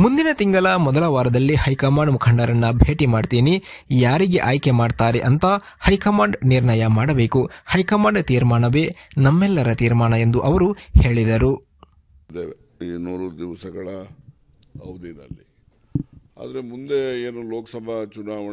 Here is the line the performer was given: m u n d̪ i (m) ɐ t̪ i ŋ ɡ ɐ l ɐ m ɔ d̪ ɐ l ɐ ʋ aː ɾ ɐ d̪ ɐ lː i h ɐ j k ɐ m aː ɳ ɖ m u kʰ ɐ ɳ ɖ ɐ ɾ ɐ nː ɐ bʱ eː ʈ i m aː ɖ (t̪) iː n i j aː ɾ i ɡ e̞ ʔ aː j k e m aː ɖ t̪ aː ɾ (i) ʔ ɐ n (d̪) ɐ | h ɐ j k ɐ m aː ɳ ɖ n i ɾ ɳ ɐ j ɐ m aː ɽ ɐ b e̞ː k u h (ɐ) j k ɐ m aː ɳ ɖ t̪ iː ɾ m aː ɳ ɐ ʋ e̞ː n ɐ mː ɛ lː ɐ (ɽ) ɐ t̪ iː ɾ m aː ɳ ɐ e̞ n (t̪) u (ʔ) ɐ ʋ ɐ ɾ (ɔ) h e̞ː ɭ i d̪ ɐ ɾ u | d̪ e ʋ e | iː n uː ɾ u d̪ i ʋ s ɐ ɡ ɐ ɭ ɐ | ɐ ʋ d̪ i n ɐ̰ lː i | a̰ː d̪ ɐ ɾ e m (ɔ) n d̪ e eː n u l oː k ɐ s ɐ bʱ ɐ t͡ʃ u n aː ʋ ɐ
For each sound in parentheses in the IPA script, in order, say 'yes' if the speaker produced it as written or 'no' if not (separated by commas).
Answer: no, yes, no, no, yes, no, no, yes, no, no